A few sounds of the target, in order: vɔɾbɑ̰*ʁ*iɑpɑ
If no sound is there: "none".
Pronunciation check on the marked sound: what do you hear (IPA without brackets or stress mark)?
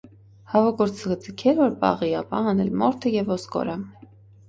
ʁ